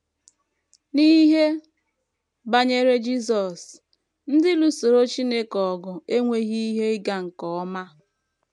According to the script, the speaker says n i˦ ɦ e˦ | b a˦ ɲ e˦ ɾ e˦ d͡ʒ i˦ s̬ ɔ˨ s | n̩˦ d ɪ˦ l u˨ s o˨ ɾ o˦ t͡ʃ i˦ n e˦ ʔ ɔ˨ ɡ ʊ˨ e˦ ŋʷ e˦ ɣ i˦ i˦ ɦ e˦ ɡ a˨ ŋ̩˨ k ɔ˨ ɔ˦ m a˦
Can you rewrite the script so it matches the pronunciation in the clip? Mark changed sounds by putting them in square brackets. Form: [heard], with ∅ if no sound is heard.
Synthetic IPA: n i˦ ɦ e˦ | b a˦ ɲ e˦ ɾ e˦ d͡ʒ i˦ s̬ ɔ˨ s | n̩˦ d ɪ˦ l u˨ s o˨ ɾ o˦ t͡ʃ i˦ n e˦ [k] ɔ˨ ɡ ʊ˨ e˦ ŋʷ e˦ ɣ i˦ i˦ ɦ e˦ ɡ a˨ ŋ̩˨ k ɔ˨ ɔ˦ m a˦